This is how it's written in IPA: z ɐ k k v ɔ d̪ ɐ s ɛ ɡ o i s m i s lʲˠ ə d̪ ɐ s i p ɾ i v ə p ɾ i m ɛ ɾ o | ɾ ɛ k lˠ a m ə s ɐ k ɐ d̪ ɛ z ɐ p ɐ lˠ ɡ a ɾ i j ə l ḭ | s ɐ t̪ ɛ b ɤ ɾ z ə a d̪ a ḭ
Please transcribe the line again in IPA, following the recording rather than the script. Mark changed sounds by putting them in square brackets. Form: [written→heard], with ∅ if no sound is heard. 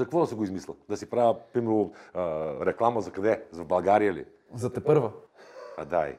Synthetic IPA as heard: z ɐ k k v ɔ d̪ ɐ s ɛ ɡ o i [s→z] m i s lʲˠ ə d̪ ɐ s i p ɾ [i→a] v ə p ɾ i m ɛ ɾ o | ɾ ɛ k lˠ a m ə [s→z] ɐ k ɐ d̪ ɛ z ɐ [p→b] ɐ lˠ ɡ a ɾ i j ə l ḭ | [s→z] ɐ t̪ ɛ [b→p] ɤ ɾ [z→v] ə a d̪ a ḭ